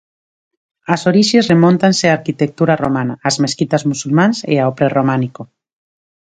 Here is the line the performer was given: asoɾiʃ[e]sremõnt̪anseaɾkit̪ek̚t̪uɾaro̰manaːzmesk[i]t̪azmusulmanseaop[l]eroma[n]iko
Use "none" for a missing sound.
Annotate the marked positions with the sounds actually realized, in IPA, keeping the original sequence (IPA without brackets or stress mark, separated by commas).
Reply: e, i, ɾ, n